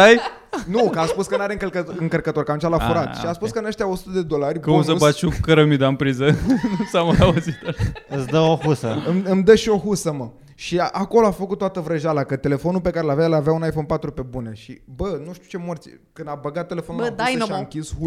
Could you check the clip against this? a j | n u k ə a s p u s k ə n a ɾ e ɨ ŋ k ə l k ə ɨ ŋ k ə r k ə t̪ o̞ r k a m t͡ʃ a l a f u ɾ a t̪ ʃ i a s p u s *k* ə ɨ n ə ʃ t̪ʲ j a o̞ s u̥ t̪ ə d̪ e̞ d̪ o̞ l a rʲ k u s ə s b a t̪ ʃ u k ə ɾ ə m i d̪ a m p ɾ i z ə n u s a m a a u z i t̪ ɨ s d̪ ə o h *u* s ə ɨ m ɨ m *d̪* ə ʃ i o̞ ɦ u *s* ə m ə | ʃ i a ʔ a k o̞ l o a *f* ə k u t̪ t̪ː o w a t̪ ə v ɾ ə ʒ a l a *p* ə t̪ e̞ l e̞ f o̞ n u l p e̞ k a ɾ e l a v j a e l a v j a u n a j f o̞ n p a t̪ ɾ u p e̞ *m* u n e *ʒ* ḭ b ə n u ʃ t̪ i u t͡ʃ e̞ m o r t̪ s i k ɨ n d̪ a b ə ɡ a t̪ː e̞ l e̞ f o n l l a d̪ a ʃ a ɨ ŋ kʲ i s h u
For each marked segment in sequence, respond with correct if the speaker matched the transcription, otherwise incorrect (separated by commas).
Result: correct, correct, correct, correct, correct, incorrect, incorrect, incorrect